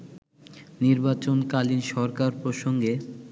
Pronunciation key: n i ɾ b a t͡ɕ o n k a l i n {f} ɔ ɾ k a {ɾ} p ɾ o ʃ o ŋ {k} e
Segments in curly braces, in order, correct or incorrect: incorrect, correct, incorrect

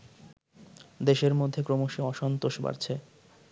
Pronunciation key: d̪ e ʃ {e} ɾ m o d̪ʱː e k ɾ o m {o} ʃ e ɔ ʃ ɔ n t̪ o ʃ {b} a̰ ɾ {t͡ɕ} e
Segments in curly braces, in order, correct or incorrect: correct, correct, correct, incorrect

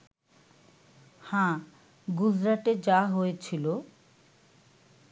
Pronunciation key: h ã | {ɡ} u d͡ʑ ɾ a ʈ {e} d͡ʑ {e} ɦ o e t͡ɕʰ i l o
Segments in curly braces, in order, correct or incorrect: correct, correct, incorrect

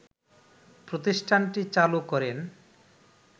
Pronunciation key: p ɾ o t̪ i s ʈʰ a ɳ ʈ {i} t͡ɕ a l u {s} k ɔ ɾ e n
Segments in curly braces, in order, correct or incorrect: correct, incorrect

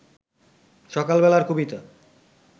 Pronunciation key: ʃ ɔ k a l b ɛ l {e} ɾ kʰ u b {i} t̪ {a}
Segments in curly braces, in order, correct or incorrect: incorrect, correct, correct

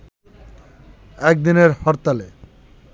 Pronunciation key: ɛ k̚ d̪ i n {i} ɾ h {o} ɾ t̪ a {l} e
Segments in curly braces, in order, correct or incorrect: incorrect, incorrect, correct

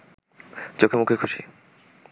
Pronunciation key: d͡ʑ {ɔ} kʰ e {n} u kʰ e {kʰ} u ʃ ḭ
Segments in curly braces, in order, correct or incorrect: incorrect, incorrect, correct

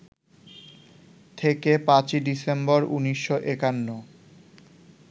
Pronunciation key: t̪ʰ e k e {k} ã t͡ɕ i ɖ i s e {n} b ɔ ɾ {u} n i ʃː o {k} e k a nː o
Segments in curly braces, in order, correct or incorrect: incorrect, incorrect, correct, incorrect

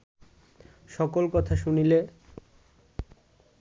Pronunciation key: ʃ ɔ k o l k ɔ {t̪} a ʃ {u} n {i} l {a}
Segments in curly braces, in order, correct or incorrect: incorrect, correct, correct, incorrect

